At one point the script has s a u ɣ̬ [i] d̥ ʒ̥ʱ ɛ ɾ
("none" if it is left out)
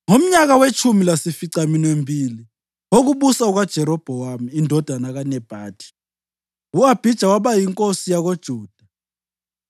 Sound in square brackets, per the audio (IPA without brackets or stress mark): a